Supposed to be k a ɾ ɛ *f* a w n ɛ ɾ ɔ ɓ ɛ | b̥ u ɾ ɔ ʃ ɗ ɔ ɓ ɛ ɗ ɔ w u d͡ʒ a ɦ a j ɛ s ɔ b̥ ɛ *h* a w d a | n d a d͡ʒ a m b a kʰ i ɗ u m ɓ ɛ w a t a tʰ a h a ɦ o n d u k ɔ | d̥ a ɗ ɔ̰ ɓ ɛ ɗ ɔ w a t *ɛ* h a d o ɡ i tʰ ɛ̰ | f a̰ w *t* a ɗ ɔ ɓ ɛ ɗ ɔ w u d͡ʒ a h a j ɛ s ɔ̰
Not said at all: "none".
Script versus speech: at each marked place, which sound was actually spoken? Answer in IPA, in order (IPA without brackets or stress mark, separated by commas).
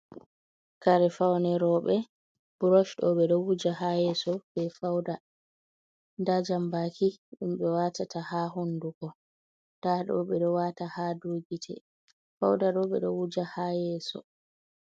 f, f, a, d